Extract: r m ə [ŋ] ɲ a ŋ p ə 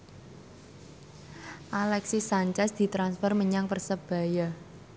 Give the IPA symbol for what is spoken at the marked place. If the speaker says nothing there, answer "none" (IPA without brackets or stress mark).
none